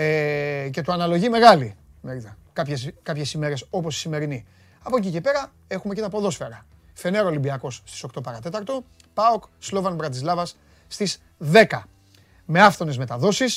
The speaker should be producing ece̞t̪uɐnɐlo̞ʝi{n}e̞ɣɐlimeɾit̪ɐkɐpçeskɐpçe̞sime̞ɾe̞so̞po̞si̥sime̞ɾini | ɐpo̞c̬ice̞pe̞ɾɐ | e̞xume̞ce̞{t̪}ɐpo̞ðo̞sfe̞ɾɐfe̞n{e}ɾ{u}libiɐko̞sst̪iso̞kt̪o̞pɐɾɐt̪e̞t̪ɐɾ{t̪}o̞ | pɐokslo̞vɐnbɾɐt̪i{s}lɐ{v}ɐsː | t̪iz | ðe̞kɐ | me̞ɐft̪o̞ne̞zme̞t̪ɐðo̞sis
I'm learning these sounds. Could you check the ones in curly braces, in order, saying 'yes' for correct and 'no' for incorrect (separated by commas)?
no, yes, yes, no, yes, no, yes